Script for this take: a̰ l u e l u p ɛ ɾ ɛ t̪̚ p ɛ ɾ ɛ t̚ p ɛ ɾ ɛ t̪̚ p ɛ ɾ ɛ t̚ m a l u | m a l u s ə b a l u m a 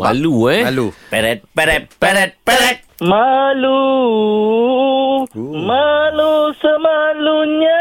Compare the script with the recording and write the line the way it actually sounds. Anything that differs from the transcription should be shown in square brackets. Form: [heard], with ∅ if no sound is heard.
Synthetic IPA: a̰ l u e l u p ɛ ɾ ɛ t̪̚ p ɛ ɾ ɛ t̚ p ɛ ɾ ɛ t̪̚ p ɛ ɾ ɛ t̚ m a l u | m a l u s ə [m] a l u [ɲ] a